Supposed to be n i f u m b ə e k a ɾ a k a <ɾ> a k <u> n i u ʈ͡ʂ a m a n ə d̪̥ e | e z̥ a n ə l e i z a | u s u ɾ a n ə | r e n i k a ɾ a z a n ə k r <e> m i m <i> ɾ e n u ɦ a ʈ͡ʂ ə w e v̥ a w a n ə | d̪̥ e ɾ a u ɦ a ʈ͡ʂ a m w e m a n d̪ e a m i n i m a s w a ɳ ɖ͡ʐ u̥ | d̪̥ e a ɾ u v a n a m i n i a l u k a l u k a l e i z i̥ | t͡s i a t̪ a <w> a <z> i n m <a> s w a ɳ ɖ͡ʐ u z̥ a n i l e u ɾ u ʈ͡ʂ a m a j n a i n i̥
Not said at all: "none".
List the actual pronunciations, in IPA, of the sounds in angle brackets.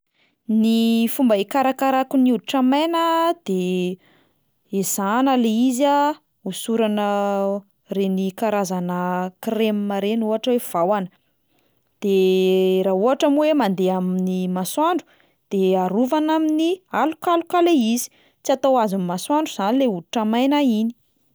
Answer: ɾ, u, e, a, w, z, a

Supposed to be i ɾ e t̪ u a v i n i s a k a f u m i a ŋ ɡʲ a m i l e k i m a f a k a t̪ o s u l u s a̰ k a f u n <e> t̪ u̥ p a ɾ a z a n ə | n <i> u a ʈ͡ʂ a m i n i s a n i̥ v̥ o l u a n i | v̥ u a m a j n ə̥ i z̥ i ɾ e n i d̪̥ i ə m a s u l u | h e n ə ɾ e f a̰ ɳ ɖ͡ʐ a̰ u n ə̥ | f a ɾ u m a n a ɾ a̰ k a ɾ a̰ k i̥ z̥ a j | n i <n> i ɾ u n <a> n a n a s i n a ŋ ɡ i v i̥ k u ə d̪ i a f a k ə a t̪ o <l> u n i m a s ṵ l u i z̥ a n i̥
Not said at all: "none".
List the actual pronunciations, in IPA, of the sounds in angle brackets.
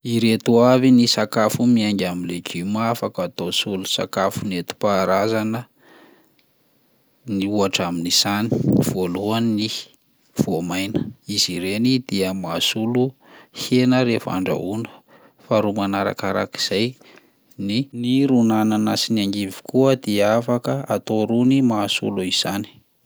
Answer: e, i, n, a, ɾ

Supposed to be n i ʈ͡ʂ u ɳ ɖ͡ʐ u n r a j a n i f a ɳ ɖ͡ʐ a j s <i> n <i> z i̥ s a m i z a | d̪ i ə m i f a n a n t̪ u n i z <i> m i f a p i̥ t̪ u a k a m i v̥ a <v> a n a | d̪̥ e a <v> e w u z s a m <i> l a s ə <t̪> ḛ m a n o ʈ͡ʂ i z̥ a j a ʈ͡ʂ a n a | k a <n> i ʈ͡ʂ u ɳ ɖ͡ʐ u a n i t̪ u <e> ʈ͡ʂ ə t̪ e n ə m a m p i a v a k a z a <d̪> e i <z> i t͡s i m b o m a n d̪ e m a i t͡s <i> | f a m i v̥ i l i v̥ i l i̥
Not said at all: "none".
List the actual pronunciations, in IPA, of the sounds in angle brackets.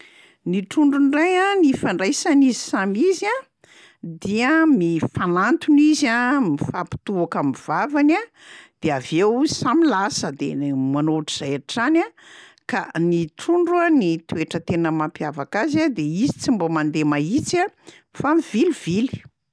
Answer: a, i, a, v, v, i, d̪, n, e, d̪, z, a

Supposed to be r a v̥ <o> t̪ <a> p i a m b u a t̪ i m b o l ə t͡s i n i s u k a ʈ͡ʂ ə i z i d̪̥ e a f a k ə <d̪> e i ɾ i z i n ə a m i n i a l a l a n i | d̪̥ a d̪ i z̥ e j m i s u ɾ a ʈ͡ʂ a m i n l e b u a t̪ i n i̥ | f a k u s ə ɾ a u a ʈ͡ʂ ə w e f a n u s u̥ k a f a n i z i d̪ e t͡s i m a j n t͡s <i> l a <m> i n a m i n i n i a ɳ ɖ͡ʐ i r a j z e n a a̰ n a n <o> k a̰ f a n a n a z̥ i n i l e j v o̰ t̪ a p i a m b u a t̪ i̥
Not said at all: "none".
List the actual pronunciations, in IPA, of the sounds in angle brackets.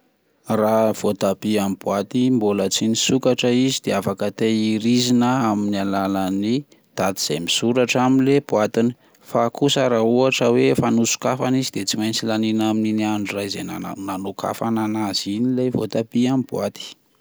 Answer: o, a, t̪, i, n, o

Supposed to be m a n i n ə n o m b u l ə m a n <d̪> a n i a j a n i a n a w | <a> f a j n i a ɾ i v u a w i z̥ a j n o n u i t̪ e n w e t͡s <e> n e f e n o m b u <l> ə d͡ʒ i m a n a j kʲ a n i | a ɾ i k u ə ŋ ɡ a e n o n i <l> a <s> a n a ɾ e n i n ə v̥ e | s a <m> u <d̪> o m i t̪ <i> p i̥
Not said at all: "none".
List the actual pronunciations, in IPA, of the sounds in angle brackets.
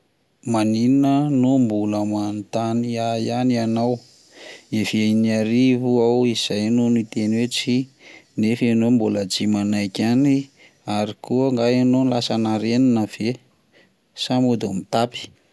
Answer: t̪, e, i, l, l, s, m, d̪, a

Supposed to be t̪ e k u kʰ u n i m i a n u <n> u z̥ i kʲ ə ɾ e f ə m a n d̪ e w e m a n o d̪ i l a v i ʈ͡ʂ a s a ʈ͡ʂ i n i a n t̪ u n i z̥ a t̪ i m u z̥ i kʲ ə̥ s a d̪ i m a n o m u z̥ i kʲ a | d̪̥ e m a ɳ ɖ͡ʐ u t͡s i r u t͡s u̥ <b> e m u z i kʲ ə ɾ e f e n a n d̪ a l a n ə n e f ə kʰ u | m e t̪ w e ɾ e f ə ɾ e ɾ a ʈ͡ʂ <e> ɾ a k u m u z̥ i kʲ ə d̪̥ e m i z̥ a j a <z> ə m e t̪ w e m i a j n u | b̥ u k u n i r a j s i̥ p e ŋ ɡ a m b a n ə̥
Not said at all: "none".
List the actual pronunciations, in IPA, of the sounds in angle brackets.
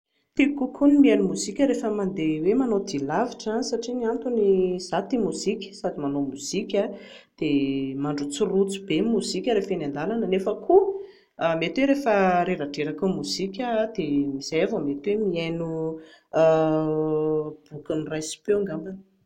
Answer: m, b, e, v

